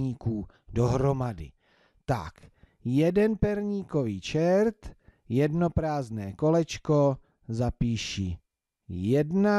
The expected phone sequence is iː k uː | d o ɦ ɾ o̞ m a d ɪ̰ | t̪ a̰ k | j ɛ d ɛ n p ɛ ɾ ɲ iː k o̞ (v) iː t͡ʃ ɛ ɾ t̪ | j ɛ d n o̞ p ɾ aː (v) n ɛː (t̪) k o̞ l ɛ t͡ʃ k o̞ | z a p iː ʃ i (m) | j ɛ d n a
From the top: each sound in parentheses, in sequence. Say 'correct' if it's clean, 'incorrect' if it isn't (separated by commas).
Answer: correct, incorrect, incorrect, incorrect